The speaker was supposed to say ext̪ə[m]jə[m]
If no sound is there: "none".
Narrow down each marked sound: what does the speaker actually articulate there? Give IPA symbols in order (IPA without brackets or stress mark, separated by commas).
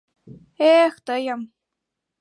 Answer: none, m